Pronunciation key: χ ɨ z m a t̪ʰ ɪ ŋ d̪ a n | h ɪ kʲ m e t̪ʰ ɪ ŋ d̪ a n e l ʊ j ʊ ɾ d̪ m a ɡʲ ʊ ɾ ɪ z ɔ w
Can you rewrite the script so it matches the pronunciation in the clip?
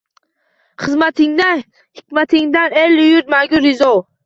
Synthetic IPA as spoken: χ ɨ z m a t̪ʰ ɪ ŋ d̪ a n | h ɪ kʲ m a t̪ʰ ɪ ŋ d̪ a n e l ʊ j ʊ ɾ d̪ m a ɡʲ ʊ ɾ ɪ z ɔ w